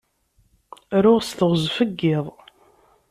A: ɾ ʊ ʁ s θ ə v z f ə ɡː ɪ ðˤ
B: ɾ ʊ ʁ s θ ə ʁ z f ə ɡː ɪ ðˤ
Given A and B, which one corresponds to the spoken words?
B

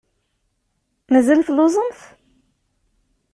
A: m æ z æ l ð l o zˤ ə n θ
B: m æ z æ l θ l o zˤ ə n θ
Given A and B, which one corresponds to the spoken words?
B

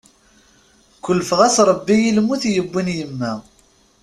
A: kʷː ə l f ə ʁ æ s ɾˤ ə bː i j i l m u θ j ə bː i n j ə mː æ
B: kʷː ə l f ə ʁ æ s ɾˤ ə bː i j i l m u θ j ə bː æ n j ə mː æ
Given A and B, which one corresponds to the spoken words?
A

